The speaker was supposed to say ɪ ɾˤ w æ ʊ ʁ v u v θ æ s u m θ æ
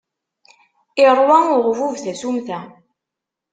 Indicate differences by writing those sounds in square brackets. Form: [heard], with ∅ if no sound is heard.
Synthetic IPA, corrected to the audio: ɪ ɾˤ w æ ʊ ʁ v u v θ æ s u m θ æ